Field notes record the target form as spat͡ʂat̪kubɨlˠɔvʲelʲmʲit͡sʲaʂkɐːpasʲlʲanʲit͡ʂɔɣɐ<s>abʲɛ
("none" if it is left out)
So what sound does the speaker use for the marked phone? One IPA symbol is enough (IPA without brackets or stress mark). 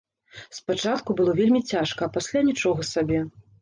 s